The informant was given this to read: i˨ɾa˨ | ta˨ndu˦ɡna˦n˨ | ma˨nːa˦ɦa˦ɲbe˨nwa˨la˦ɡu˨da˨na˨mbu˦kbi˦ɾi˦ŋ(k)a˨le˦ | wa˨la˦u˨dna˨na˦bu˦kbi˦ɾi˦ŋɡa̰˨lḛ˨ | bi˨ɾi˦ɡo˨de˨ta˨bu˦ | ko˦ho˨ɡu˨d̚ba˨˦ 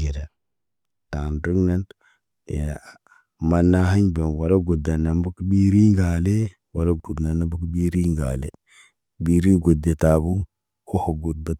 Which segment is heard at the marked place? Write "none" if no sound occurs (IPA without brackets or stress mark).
ɡ